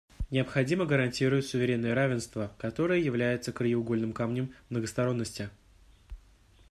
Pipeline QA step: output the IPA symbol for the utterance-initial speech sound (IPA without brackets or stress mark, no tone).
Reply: nʲ